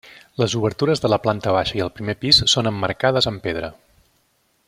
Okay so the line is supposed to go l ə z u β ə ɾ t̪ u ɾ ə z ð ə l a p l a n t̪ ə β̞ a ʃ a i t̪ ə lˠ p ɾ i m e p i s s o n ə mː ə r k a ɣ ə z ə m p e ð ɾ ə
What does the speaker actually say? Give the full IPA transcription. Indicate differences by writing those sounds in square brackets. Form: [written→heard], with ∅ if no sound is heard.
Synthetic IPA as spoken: l ə z u β ə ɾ t̪ u ɾ ə z ð ə l [a→ə] p l a n t̪ ə β̞ a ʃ [a→ə] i [t̪→∅] ə lˠ p ɾ i m e p i s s o n ə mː ə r k a [ɣ→ð] ə z ə m p e ð ɾ ə